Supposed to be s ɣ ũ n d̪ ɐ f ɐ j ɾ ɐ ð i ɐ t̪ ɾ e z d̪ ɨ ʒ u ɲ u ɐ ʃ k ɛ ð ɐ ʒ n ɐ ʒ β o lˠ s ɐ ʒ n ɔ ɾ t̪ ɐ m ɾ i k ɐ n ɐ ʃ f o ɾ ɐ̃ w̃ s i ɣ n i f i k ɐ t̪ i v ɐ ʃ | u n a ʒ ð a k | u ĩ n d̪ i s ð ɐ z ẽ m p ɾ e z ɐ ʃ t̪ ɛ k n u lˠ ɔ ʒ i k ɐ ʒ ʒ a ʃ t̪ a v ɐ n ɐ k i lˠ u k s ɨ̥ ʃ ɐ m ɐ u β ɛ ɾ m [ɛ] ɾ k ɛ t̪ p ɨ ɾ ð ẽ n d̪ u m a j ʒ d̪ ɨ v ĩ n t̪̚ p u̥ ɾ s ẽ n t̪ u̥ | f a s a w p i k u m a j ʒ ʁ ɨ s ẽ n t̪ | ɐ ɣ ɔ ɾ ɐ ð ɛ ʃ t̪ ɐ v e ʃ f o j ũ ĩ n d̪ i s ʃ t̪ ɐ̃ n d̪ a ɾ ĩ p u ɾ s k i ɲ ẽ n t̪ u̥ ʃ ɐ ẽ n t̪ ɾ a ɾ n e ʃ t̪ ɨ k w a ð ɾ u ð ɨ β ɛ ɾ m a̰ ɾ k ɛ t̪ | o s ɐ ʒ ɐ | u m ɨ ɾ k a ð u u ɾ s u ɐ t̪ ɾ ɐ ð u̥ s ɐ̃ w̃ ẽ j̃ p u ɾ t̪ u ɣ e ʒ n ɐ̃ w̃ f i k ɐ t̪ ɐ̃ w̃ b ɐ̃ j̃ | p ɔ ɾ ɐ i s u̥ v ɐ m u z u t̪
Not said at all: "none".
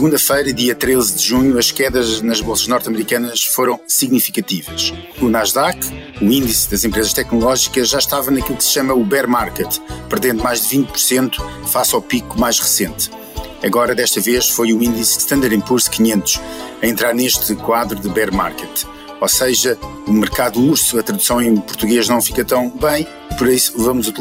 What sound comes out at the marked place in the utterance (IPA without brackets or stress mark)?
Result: a